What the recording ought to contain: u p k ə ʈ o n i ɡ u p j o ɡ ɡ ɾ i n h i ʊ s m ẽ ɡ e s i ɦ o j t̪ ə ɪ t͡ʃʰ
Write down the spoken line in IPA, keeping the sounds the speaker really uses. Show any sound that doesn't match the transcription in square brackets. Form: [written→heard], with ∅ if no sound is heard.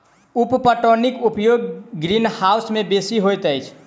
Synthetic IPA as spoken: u p [k→p] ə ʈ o n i [ɡ→k] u p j o ɡ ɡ ɾ i n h [i→a] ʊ s m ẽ [ɡ→b] e s i ɦ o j t̪ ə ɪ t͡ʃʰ